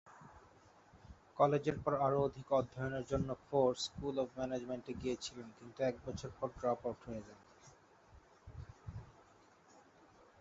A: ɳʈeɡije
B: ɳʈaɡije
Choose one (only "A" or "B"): A